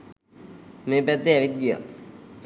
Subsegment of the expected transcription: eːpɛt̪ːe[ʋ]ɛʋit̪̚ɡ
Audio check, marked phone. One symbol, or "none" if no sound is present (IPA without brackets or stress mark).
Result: none